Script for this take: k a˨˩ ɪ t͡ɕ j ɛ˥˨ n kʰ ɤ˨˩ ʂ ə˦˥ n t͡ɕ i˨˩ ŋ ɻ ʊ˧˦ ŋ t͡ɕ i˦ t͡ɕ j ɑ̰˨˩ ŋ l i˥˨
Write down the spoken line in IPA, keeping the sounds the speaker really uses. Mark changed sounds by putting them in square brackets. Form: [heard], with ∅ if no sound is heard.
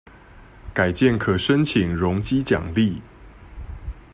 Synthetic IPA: k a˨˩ ɪ t͡ɕ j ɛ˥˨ n kʰ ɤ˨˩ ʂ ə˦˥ n [t͡ɕʰ] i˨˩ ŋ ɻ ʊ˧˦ ŋ t͡ɕ i˦ t͡ɕ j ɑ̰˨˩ ŋ l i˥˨